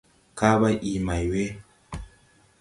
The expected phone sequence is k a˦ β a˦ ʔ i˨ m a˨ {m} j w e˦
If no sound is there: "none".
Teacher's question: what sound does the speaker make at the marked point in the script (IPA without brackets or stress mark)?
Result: none